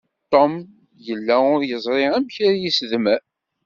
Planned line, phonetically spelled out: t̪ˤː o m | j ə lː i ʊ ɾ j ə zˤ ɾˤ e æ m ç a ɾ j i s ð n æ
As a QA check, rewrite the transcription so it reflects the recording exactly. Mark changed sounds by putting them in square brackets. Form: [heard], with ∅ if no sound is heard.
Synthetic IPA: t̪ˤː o m | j ə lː [æ] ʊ ɾ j ə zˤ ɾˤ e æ m ç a ɾ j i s ð [m] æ

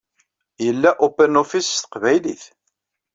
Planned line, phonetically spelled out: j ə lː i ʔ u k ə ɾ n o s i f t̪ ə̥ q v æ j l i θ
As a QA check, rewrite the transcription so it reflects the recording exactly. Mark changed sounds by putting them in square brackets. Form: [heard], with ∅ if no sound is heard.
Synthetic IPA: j ə lː [æ] ʔ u [p] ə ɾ n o [f] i [s] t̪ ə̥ q v æ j l i θ

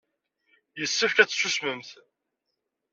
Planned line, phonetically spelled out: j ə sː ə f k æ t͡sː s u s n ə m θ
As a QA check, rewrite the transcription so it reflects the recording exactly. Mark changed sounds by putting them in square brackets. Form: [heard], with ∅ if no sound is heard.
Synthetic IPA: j ə sː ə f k æ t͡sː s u s [m] ə m θ

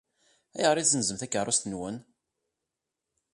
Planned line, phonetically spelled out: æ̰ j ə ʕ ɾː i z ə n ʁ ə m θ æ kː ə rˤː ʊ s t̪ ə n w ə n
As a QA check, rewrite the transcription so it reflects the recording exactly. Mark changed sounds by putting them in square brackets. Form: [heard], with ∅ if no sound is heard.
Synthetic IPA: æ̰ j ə [ʁ] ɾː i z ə n [z] ə m θ æ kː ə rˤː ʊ s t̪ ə n w ə n

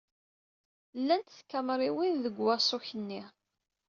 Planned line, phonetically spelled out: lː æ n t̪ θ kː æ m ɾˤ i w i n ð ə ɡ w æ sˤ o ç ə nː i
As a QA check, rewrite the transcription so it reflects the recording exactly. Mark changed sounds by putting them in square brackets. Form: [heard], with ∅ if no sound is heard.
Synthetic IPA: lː æ n t̪ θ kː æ m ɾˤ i w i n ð ə ɡ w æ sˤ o ç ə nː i

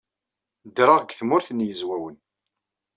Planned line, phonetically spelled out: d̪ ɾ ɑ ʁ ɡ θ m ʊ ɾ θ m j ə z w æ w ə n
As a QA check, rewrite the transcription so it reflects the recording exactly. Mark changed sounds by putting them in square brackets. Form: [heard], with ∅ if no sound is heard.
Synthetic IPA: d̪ ɾ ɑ ʁ ɡ θ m ʊ ɾ θ [n] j ə z w æ w ə n

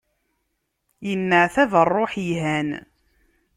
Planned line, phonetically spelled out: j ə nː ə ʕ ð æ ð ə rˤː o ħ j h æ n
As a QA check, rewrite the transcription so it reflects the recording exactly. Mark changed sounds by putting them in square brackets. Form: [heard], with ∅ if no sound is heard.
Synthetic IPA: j ə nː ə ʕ [θ] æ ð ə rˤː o ħ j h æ n

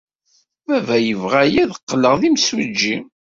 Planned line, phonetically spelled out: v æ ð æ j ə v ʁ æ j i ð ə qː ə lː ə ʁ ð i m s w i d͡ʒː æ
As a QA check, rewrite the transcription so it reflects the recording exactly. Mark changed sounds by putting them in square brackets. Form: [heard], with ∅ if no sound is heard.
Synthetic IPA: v æ [v] æ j ə v ʁ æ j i ð ə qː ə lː ə ʁ ð i m s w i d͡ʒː [i]

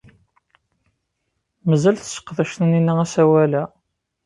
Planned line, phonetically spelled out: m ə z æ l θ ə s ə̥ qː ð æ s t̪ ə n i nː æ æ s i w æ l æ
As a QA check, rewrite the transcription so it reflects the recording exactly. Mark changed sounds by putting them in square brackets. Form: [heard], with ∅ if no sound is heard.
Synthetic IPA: m ə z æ l θ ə s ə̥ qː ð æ [ʃ] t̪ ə n i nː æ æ s [æ] w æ l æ

